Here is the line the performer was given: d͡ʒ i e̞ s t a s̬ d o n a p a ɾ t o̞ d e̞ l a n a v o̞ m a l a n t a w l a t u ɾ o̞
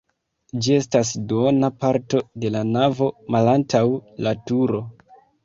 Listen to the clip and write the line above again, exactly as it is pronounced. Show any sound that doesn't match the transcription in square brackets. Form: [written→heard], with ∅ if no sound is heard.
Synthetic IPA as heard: d͡ʒ i e̞ s t a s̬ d o n a p a ɾ t o̞ d e̞ l a n a v o̞ m a l a n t a w l a t u ɾ o̞